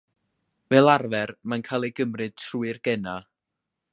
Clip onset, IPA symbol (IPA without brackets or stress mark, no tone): v